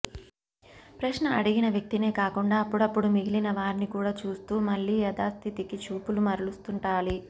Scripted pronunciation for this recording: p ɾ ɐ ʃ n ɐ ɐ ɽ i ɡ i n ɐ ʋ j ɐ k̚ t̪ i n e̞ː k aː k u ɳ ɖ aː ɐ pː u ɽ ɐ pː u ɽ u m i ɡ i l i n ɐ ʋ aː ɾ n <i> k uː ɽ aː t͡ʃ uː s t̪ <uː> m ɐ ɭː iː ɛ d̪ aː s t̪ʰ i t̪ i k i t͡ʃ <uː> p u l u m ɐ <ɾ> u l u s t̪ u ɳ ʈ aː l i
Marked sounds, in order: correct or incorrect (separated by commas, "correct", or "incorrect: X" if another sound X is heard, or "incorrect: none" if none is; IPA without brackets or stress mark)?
correct, correct, correct, correct